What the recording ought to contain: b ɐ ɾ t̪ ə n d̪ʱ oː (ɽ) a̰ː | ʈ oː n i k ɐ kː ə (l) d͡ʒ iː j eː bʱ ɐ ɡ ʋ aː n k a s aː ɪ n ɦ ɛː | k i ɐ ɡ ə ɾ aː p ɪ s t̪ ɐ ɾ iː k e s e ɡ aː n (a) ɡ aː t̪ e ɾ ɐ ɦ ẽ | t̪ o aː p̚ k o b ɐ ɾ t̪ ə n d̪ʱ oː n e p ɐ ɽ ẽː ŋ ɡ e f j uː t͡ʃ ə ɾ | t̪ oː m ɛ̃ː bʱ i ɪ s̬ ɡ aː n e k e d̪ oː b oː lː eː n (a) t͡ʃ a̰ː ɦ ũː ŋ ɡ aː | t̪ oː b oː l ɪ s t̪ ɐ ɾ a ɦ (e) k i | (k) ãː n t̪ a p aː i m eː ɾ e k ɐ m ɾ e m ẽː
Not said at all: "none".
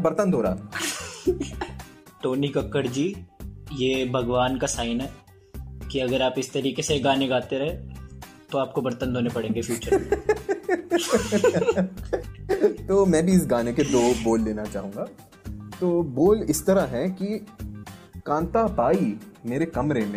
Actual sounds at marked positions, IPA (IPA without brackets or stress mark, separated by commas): ɾ, ɾ, e, a, ɛ, k